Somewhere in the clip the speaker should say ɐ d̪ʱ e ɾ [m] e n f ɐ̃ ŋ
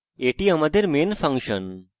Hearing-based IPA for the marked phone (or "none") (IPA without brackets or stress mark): m